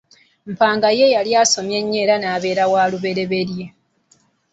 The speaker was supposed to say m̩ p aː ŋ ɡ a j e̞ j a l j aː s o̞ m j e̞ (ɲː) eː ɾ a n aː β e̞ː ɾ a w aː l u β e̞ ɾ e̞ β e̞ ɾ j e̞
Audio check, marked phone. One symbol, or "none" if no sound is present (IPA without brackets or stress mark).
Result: ɲː